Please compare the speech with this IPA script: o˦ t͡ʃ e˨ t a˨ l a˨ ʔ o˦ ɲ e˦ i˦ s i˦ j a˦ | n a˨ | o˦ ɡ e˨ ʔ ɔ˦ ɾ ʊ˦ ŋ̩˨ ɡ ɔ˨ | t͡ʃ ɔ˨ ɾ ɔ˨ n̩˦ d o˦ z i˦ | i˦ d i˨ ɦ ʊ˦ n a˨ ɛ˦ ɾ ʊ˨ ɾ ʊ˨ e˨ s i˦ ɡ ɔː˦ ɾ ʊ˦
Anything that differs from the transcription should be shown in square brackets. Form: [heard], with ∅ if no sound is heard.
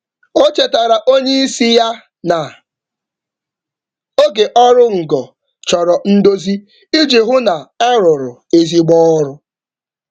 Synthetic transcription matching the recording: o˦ t͡ʃ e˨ t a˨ [ɾ] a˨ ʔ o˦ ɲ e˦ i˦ s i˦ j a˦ | n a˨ | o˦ ɡ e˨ ʔ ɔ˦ ɾ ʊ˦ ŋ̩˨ ɡ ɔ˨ | t͡ʃ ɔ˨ ɾ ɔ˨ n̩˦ d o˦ z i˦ | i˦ [d͡ʒ] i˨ ɦ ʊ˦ n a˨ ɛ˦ ɾ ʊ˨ ɾ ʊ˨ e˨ [z] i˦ [ɡ͡b] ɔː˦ ɾ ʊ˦